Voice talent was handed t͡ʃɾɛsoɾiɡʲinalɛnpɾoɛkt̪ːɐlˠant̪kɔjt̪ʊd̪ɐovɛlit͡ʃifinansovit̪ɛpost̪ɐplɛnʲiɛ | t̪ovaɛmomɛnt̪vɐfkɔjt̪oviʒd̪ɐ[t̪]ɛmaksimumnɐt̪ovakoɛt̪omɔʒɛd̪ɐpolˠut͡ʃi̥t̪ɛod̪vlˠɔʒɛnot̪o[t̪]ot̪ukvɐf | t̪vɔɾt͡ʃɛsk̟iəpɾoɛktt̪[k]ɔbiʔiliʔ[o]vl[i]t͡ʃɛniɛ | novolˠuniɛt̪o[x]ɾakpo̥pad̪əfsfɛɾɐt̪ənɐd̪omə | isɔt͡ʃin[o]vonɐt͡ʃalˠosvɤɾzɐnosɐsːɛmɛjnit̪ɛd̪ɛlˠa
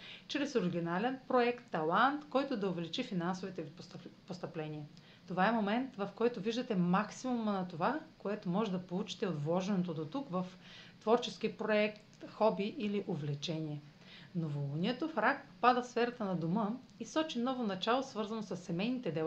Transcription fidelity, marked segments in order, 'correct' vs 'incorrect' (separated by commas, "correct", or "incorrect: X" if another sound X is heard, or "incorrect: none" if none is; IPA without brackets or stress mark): correct, incorrect: d̪, incorrect: x, correct, incorrect: ɛ, incorrect: f, incorrect: ɔ